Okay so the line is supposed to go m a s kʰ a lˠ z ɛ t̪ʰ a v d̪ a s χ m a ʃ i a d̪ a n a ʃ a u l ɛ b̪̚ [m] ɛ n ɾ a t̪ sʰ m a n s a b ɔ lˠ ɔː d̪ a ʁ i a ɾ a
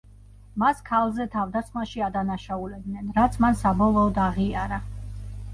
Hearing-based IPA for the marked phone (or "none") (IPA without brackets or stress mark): n